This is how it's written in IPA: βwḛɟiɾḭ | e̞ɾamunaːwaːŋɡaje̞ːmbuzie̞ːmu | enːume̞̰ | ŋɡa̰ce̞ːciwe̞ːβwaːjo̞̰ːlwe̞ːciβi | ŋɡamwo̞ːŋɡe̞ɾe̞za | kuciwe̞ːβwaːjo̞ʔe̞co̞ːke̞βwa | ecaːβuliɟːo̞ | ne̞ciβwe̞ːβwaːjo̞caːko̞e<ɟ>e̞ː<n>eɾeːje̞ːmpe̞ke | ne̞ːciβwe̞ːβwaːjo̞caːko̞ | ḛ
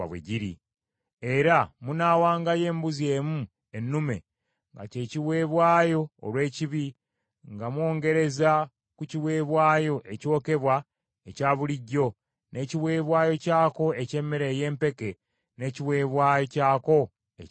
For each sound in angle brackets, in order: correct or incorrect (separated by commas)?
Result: incorrect, incorrect